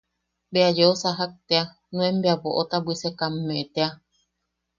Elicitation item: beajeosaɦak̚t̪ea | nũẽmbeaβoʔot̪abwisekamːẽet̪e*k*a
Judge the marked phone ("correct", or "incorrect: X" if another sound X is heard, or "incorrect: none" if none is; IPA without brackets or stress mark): incorrect: none